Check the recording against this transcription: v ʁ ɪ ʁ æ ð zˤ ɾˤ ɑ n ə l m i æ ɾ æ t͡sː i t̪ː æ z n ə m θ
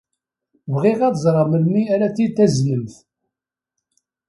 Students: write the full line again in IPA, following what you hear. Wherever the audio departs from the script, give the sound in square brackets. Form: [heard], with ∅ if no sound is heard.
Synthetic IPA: v ʁ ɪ ʁ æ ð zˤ ɾˤ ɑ [m] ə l m i æ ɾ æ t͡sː i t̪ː æ z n ə m θ